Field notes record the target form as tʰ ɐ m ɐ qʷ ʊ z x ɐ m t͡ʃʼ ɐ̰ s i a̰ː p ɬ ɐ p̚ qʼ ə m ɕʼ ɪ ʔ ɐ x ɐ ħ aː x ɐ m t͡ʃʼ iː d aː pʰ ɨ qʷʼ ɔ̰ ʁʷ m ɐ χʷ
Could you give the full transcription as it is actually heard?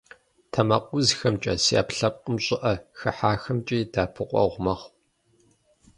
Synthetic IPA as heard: tʰ ɐ m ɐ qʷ ʊ z x ɐ m t͡ʃʼ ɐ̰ s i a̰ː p ɬ ɐ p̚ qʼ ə m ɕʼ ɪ ʔ ɐ x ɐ ħ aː x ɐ m t͡ʃʼ iː d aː pʰ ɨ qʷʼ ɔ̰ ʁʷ m ɐ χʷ